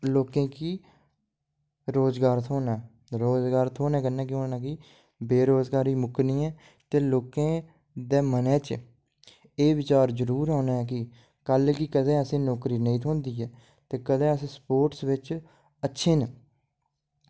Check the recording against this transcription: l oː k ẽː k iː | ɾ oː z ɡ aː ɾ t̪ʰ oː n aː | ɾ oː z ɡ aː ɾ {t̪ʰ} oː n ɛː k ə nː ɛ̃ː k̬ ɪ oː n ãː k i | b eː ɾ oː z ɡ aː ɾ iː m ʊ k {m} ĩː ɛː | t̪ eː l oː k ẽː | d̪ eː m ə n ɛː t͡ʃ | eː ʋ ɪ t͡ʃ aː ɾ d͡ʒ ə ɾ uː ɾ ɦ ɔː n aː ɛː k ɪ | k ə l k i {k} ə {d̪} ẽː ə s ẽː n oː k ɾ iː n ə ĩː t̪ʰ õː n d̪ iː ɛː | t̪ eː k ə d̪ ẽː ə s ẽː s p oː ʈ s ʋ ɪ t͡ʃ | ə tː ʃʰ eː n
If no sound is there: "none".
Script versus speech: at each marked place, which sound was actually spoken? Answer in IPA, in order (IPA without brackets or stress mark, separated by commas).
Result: t̪ʰ, n, k, d̪